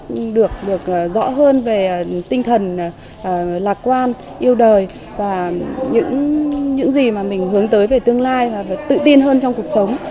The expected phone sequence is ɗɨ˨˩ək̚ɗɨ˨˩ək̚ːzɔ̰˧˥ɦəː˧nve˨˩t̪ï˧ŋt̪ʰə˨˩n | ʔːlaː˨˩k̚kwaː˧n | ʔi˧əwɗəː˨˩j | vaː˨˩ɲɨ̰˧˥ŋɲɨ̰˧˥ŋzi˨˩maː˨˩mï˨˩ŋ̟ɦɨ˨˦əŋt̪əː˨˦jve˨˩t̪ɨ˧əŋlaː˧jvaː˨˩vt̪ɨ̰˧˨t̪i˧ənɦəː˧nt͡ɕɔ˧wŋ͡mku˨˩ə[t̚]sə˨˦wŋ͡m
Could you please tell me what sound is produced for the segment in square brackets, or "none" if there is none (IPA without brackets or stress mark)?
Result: k̚